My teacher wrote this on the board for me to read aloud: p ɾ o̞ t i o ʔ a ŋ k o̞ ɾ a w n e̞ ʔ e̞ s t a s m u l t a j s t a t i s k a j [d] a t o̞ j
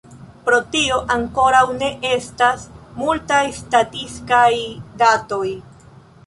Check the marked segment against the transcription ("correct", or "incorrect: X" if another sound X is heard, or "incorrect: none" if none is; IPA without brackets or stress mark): correct